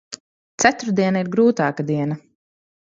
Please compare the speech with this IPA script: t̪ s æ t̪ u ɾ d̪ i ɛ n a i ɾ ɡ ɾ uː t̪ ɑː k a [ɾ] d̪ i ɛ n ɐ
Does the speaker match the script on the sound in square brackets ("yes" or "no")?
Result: no